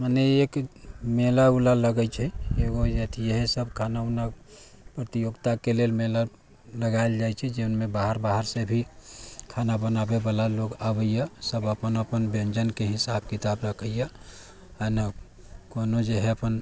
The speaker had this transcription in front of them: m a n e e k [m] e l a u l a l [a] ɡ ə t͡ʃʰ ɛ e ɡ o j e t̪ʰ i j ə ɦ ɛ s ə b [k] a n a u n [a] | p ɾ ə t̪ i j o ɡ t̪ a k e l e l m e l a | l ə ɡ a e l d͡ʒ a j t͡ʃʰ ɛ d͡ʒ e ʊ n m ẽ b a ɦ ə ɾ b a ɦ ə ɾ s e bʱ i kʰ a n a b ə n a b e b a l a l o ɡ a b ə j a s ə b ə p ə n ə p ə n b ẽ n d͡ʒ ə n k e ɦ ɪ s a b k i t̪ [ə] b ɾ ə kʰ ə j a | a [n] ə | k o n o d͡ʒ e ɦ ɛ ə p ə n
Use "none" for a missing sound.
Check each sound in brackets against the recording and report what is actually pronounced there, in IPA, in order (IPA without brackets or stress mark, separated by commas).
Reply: m, ə, kʰ, a, a, n